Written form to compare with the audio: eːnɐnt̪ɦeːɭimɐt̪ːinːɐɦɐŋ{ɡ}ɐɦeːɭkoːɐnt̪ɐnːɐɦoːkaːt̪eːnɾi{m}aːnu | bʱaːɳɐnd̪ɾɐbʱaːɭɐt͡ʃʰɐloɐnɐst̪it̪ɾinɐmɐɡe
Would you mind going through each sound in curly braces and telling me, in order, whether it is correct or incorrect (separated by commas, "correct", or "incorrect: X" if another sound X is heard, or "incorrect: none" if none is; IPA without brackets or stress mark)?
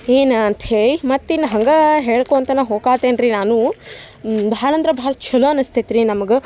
correct, incorrect: n